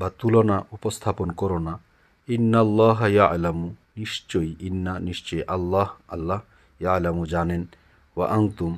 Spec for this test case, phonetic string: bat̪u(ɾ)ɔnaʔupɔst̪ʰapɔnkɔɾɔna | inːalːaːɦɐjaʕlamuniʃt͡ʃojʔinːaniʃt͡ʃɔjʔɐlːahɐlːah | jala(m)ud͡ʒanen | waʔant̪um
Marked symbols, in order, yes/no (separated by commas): no, yes